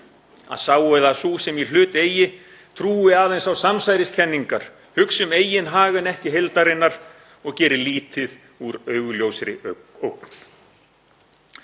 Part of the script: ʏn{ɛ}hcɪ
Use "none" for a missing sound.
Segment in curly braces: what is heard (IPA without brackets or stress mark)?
ɛ